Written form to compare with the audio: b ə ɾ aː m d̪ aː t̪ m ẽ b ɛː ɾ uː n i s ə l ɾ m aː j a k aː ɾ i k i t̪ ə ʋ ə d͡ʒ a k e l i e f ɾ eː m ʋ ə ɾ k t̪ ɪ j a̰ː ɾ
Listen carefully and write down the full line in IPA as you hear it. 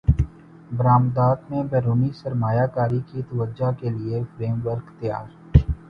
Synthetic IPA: b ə ɾ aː m d̪ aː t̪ m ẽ b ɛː ɾ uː n i s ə ɾ m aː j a k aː ɾ i k i t̪ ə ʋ ə d͡ʒ a k e l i e f ɾ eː m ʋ ə ɾ k t̪ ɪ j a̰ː ɾ

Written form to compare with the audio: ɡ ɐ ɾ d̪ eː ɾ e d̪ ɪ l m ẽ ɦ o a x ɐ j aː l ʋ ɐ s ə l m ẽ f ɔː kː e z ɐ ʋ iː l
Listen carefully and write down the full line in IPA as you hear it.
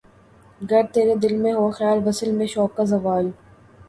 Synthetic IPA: ɡ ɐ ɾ t̪ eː ɾ e d̪ ɪ l m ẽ ɦ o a x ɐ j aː l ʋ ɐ s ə l m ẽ ʃ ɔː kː a z ɐ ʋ aː l

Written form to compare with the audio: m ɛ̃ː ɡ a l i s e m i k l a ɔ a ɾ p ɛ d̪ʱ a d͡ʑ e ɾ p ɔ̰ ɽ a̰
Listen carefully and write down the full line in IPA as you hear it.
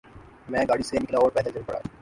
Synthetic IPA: m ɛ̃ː ɡ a ɽ i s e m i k l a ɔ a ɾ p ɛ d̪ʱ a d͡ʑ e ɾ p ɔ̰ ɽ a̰

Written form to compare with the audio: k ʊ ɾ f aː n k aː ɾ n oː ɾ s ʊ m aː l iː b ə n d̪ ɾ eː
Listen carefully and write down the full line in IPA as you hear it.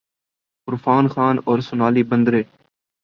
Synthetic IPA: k ʊ ɾ f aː n x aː n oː ɾ s ʊ n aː l iː b ə n d̪ ɾ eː

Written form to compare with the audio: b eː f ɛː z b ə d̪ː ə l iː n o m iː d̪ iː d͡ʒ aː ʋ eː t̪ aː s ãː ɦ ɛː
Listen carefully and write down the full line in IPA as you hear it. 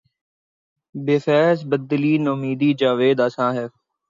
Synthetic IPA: b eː f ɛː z b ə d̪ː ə l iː n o m iː d̪ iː d͡ʒ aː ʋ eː d̪ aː s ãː ɦ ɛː

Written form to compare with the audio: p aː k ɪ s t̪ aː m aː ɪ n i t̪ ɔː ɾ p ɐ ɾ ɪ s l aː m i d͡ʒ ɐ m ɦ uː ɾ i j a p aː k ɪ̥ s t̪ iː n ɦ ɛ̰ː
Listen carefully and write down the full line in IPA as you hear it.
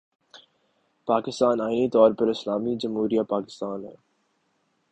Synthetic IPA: p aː k ɪ s t̪ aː n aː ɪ n i t̪ ɔː ɾ p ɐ ɾ ɪ s l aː m i d͡ʒ ɐ m ɦ uː ɾ i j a p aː k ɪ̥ s t̪ aː n ɦ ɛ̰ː

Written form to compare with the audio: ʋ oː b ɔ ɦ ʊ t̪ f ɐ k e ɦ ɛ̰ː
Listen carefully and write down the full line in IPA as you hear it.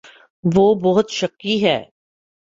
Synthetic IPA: ʋ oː b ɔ ɦ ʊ t̪ ʃ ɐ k i ɦ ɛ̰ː

